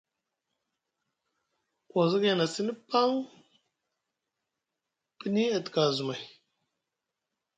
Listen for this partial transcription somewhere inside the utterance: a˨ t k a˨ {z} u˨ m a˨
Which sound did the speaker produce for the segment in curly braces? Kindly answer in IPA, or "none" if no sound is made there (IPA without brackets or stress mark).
z